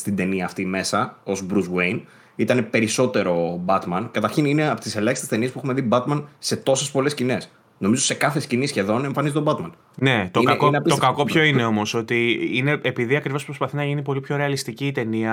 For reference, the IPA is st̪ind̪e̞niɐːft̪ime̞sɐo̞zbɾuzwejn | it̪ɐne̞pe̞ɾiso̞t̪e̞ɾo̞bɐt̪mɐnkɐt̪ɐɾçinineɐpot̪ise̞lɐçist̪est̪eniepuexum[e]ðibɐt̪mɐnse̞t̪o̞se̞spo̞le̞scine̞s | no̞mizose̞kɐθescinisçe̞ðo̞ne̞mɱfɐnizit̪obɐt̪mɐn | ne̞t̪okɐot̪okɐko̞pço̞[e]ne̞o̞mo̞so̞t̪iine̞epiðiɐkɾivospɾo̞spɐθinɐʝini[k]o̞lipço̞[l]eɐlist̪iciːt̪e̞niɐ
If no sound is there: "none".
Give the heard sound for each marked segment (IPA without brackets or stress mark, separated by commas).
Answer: e, i, p, ɾ